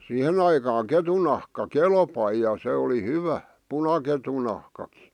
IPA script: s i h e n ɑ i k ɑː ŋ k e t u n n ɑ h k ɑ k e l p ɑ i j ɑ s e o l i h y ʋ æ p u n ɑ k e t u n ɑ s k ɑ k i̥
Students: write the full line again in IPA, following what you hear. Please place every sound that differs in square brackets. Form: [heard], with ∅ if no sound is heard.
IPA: s i h e n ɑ i k ɑː ŋ k e t u n n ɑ h k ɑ k e l p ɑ i j ɑ s e o l i h y ʋ æ p u n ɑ k e t u n ɑ [h] k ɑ k i̥